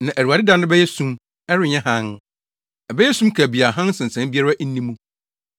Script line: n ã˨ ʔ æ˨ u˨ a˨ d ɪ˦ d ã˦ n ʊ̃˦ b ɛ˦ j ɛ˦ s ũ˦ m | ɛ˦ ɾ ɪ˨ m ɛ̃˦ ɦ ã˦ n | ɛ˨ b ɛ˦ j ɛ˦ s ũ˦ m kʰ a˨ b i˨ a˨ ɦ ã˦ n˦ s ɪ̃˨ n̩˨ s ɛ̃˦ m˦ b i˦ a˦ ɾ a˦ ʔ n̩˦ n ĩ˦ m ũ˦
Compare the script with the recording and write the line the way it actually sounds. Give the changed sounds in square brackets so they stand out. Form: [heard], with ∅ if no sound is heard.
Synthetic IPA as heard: n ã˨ ʔ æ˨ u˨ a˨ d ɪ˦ d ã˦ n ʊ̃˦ b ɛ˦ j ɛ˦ s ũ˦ m | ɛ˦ ɾ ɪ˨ [ɲ] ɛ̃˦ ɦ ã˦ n | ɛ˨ b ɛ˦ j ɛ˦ s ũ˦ m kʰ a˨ b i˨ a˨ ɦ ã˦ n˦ s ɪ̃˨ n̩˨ s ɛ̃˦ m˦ b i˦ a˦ ɾ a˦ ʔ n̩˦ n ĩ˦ m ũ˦